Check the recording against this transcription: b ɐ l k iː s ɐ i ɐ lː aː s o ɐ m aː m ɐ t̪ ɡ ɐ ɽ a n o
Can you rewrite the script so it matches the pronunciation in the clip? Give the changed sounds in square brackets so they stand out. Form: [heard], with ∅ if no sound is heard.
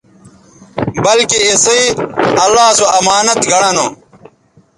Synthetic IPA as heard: b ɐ l k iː s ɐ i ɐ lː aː s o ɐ m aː [n] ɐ t̪ ɡ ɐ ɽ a n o

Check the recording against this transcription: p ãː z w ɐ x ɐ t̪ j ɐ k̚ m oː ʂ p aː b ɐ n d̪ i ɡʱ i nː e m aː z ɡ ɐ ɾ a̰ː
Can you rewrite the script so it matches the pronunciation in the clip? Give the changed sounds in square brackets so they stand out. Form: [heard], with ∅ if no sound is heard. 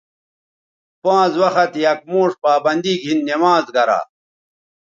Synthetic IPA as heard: p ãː z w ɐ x ɐ t̪ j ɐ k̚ m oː ʂ p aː b ɐ n d̪ i ɡʱ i nː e m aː z ɡ ɐ ɾ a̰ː

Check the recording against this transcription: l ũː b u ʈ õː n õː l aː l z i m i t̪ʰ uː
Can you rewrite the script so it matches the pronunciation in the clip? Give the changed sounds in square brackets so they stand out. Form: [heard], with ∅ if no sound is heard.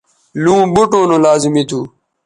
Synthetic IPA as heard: l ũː b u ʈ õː n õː l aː [∅] z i m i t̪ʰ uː

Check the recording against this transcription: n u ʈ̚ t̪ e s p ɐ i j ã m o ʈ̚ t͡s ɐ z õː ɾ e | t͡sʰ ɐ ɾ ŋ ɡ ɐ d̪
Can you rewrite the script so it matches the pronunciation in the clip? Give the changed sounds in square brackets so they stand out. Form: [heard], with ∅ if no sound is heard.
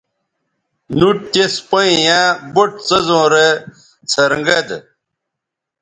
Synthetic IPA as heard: n u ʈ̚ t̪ e s p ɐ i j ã [b] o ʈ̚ t͡s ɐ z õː ɾ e | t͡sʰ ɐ ɾ ŋ ɡ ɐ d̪

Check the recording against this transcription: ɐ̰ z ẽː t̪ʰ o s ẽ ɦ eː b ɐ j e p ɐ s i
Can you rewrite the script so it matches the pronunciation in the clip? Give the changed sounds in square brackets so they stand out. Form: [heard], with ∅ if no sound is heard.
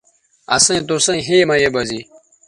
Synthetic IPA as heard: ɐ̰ [s] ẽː [t̪] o s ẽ ɦ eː [m] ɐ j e [b] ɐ [z] i

